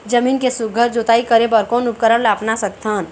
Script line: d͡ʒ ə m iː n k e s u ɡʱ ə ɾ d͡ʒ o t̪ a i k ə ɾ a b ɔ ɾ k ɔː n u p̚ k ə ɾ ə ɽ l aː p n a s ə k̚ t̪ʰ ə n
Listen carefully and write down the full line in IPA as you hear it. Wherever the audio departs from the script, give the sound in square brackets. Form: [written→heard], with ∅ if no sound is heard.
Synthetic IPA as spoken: d͡ʒ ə m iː n k e s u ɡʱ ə ɾ d͡ʒ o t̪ a i k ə ɾ [a→e] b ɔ ɾ k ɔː n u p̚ k ə ɾ ə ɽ l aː p n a s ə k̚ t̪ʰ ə n